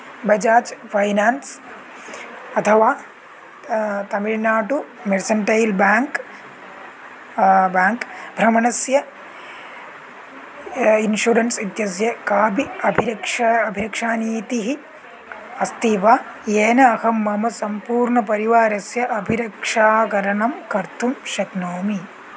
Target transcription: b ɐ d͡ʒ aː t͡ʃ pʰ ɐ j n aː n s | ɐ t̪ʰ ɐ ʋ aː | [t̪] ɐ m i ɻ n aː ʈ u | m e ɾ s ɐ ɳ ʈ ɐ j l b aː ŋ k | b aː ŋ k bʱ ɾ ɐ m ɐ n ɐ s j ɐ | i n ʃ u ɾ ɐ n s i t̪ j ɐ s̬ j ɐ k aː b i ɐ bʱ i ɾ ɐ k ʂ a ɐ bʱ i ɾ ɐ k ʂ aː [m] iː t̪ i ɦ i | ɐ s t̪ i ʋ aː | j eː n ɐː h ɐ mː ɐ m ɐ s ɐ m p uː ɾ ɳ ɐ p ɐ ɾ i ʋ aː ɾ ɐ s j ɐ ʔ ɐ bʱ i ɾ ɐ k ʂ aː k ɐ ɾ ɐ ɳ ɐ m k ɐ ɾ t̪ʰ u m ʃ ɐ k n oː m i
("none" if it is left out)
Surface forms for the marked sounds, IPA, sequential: t̪, n

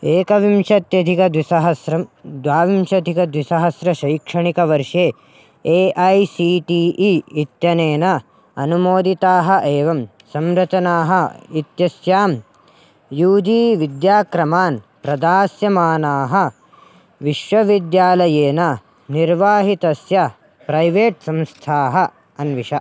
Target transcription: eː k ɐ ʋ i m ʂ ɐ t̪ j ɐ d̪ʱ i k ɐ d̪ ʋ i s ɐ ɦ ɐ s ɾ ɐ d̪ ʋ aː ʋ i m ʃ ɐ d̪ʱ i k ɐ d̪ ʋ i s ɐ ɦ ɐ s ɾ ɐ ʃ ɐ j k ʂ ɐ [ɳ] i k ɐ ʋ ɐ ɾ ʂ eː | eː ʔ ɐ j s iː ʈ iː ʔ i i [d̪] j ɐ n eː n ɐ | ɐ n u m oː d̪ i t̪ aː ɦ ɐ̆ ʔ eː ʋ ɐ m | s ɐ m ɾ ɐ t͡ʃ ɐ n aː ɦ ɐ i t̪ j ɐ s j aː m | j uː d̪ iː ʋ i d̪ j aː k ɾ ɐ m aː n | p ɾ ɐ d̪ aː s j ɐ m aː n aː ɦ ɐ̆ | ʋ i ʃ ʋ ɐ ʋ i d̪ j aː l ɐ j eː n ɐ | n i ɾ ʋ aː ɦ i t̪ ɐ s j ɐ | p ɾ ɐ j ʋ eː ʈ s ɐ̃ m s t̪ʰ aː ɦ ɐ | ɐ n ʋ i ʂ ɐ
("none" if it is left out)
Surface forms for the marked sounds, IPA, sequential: ɳ, t̪

